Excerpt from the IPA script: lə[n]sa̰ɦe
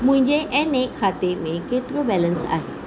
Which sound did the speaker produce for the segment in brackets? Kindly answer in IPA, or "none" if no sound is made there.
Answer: n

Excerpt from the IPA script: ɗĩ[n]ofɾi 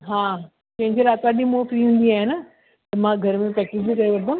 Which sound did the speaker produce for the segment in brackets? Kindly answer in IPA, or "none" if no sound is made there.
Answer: m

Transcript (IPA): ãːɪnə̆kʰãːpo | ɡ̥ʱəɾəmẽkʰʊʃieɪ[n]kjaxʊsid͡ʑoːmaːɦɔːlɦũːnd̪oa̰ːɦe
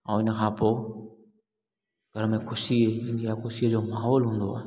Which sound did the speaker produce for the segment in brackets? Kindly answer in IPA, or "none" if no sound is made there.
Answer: n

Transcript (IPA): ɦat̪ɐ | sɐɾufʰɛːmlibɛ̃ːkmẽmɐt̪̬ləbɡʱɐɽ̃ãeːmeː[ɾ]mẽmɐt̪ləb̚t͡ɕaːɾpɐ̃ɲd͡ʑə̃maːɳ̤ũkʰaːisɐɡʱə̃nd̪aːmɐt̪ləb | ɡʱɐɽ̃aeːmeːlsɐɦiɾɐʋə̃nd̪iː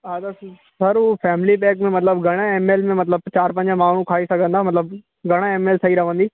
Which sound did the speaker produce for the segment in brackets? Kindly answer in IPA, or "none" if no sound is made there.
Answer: l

